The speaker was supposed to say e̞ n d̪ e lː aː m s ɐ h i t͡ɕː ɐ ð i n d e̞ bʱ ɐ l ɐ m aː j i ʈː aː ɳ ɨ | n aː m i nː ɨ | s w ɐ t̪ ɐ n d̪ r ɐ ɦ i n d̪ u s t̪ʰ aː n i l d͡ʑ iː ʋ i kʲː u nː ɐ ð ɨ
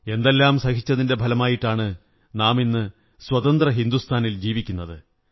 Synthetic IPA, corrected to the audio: e̞ n d̪ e lː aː m s ɐ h i t͡ɕː ɐ ð i n d e̞ bʱ ɐ l ɐ m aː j i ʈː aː ɳ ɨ | n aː m i nː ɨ | s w ɐ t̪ ɐ n d̪ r ɐ ɦ i n d̪ u s t̪ʰ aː n i l d͡ʑ iː ʋ i kʲː u nː ɐ ð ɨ